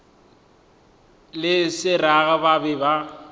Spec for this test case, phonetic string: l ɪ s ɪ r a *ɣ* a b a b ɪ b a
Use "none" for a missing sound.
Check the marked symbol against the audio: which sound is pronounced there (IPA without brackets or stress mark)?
ɣ